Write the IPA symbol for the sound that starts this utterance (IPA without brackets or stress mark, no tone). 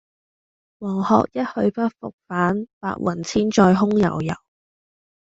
w